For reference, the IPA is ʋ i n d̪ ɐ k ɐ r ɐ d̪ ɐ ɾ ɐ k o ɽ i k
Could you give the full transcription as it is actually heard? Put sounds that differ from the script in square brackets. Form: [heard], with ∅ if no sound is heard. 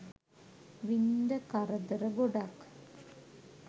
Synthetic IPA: ʋ i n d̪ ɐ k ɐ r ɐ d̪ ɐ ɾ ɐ [ɡ] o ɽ [a] k